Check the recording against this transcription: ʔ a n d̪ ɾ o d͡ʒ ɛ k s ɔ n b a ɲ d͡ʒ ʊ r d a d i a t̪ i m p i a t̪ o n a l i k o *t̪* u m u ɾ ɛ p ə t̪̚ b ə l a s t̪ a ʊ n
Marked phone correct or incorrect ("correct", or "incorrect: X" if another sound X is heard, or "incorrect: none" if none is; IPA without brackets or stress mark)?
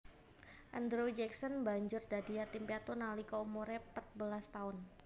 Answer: incorrect: none